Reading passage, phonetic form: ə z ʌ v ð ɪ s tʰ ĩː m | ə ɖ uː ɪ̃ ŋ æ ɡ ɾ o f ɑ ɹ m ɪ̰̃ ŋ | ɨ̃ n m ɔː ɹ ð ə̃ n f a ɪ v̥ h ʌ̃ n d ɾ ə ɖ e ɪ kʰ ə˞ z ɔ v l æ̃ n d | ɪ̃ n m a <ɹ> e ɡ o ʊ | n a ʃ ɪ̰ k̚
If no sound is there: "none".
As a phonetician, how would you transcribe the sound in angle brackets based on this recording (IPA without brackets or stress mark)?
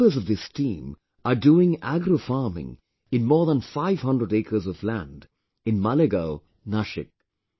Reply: l